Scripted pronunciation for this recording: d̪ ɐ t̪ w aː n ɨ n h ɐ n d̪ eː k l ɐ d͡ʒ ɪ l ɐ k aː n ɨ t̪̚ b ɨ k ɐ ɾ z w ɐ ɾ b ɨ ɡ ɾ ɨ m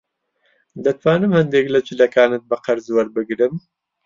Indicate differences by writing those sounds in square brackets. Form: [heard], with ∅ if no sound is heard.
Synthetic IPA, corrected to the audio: d̪ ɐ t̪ w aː n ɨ [m] h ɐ n d̪ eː k l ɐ d͡ʒ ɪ l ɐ k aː n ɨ t̪̚ b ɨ [q] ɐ ɾ z w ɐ ɾ b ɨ ɡ ɾ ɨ m

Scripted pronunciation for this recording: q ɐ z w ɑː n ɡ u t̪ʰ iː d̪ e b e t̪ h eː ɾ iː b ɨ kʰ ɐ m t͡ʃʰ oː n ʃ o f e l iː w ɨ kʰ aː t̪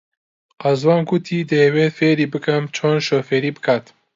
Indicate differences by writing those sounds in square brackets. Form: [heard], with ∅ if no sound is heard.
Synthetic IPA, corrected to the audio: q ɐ z w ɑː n ɡ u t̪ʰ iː d̪ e [w] e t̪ [f] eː ɾ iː b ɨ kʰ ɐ m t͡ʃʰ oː n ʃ o f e [ɾ] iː [b] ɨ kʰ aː t̪

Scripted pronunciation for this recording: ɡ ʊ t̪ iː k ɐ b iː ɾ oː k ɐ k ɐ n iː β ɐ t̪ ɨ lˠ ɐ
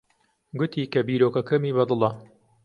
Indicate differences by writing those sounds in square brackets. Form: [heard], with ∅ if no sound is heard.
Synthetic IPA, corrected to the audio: ɡ ʊ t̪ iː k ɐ b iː ɾ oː k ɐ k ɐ [m] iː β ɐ [d̪] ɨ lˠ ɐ

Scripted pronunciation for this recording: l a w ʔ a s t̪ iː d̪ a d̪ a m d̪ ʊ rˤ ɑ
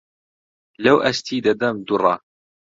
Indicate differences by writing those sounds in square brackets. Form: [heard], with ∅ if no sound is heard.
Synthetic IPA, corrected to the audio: l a w ʔ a s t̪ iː d̪ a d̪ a m d̪ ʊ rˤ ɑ

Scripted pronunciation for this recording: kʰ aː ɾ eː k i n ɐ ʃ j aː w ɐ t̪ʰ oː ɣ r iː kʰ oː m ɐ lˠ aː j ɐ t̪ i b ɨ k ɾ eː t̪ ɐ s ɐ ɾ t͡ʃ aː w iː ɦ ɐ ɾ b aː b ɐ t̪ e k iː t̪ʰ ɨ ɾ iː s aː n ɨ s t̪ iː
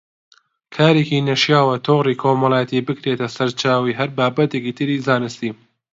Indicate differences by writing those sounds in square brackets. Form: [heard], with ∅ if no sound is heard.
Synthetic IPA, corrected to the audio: kʰ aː ɾ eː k i n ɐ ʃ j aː w ɐ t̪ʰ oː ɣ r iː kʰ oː m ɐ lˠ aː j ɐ t̪ i b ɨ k ɾ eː t̪ ɐ s ɐ ɾ t͡ʃ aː w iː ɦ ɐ ɾ b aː b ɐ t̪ e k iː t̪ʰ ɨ ɾ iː [z] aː n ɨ s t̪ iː

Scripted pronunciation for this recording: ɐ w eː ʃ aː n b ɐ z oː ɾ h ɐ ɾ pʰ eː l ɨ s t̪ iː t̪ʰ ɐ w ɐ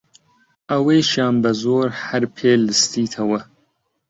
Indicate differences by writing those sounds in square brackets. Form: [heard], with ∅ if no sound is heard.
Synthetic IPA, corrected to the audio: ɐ w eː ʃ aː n b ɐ z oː ɾ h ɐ ɾ pʰ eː l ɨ s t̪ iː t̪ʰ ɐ w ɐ

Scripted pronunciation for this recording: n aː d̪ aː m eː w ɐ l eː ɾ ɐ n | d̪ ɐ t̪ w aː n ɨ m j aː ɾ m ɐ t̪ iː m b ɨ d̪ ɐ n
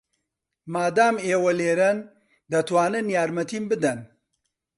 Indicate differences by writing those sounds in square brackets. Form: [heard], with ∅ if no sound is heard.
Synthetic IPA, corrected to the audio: [m] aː d̪ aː m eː w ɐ l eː ɾ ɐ n | d̪ ɐ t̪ w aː n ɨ [n] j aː ɾ m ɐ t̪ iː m b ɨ d̪ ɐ n

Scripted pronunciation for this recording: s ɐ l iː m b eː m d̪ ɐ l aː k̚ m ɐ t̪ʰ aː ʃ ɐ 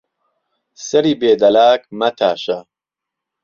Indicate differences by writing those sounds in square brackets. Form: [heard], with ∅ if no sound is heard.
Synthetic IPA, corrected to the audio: s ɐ [ɾ] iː [∅] b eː [∅] d̪ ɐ l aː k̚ m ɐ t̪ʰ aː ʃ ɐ

